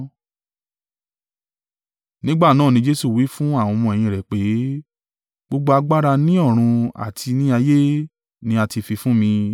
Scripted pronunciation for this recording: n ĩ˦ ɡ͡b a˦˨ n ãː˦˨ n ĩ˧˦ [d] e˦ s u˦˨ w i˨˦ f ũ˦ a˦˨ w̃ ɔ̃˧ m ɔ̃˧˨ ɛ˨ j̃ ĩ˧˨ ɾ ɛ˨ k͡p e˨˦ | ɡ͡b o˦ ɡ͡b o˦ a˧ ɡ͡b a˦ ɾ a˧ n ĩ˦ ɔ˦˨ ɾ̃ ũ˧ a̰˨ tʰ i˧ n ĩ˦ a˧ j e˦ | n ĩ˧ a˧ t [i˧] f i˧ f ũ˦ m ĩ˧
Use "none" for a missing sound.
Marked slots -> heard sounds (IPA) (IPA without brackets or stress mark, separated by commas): d͡ʒ, i˧